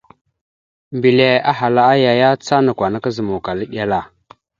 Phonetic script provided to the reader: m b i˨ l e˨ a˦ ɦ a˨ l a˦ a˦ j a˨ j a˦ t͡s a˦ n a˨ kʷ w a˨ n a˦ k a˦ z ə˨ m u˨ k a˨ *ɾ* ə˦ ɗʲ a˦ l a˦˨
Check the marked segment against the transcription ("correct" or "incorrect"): incorrect